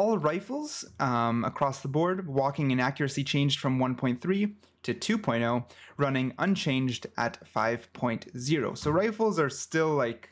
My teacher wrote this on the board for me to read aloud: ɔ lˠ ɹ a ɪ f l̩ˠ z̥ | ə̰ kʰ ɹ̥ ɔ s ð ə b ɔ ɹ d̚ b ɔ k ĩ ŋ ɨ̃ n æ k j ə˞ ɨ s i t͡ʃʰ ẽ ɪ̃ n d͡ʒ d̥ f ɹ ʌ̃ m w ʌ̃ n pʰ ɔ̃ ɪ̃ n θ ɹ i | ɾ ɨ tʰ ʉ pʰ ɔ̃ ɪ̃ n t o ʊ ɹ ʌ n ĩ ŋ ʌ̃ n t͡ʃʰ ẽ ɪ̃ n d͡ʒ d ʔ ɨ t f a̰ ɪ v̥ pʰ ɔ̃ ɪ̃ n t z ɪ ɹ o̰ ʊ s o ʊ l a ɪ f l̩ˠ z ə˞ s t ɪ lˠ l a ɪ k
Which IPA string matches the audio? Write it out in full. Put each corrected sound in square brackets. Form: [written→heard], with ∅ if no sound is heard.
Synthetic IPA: ɔ lˠ ɹ a ɪ f l̩ˠ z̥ | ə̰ kʰ ɹ̥ ɔ s ð ə b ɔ ɹ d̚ [b→w] ɔ k [ĩ→ɪ̃] ŋ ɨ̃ n æ k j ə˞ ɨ s i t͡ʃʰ ẽ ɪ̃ n d͡ʒ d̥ f ɹ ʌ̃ m w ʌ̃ n pʰ ɔ̃ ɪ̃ n θ ɹ i | ɾ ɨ tʰ ʉ pʰ ɔ̃ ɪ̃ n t o ʊ ɹ ʌ n [ĩ→ɪ̃] ŋ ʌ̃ n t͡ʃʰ ẽ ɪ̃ n d͡ʒ d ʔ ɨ t f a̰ ɪ v̥ pʰ ɔ̃ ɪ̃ n t z ɪ ɹ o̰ ʊ s o ʊ [l→ɹ] a ɪ f l̩ˠ z ə˞ s t ɪ lˠ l a ɪ k